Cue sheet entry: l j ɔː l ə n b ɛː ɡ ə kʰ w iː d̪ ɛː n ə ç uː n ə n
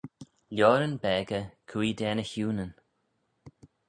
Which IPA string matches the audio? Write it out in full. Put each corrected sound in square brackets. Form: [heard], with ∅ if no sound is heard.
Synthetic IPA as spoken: l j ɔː [ɾ] ə n b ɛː ɡ ə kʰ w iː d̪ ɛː n ə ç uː n ə n